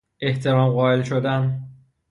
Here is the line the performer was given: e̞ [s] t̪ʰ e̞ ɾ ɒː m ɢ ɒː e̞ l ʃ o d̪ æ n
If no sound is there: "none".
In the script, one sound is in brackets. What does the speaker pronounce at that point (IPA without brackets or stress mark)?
h